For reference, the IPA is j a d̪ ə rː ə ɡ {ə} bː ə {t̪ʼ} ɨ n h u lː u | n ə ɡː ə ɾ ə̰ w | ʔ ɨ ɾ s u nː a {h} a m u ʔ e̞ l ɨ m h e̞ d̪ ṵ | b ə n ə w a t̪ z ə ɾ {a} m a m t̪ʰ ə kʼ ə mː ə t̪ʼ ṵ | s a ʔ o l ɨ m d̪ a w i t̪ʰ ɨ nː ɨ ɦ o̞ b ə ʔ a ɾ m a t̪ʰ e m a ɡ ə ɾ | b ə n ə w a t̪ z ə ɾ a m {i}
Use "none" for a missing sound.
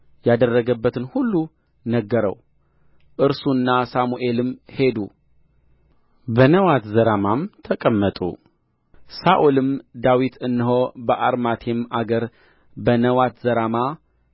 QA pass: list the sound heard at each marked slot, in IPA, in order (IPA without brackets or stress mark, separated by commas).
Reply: ə, t̪, s, a, a